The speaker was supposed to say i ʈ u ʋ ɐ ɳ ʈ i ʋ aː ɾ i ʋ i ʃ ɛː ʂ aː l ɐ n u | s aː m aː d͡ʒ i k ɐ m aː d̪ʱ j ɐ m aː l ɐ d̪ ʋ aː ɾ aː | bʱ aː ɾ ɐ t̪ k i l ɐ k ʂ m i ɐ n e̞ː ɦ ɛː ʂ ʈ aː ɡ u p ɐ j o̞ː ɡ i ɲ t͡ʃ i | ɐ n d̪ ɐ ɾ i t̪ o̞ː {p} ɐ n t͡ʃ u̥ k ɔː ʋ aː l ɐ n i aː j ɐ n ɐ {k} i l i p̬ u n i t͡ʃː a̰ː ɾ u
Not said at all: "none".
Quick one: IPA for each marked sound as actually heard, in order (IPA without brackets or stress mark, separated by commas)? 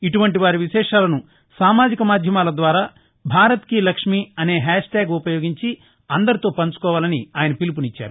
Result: p, p